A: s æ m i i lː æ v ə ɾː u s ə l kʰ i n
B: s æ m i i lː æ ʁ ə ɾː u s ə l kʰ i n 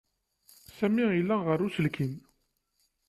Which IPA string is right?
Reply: B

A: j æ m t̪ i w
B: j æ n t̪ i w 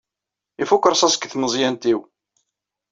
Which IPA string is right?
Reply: B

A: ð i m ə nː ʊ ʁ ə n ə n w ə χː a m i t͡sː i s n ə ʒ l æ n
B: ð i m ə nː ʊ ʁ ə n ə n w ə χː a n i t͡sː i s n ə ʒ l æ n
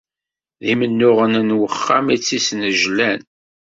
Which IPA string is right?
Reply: A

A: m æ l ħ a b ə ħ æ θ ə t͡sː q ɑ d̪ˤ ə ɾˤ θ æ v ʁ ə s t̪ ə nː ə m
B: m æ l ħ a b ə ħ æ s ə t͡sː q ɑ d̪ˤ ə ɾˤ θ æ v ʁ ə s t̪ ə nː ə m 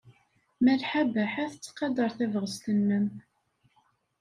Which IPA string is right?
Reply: A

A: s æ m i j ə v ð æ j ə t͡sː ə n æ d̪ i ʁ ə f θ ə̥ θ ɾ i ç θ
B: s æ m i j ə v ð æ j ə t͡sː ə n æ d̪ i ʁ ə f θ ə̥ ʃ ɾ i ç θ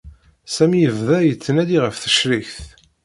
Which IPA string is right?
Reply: B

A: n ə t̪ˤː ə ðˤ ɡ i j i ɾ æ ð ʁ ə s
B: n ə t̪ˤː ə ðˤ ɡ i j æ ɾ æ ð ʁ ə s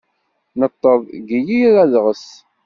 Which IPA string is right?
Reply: A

